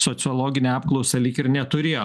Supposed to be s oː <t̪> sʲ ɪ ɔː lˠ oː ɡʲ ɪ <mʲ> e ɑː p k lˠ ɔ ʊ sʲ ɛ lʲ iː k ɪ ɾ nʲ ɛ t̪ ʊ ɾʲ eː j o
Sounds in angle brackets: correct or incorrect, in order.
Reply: correct, incorrect: nʲ

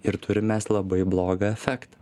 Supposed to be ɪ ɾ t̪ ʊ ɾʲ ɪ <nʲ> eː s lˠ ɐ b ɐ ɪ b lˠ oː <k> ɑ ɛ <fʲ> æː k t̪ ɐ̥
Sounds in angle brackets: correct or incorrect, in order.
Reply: incorrect: mʲ, incorrect: ɡ, correct

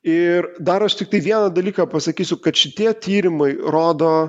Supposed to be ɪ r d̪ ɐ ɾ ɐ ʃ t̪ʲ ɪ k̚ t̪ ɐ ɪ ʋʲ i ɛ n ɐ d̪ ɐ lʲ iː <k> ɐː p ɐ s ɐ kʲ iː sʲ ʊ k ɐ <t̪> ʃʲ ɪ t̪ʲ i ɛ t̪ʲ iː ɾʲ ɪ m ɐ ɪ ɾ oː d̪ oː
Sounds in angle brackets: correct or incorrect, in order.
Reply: correct, correct

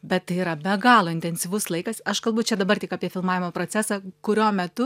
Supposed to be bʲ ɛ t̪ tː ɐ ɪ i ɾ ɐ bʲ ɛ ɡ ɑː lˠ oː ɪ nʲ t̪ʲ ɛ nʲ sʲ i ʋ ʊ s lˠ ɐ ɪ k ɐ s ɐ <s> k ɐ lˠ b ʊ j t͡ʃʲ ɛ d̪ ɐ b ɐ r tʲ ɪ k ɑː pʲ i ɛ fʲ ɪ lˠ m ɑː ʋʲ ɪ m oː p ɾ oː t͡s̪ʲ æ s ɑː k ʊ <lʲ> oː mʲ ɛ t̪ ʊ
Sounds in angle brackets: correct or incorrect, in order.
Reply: incorrect: ʃ, incorrect: ɾʲ

